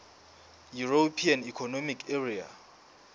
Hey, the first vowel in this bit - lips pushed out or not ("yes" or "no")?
yes